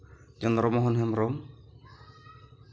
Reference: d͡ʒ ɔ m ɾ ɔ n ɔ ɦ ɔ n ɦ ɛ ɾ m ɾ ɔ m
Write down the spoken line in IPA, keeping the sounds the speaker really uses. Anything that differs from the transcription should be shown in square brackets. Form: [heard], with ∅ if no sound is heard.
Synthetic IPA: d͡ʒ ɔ [n] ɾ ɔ [m] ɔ ɦ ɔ n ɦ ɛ [∅] m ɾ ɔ m